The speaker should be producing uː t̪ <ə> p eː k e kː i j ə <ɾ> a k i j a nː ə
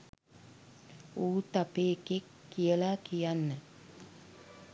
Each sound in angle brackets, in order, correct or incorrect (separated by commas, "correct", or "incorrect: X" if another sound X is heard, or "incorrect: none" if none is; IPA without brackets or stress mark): incorrect: a, incorrect: l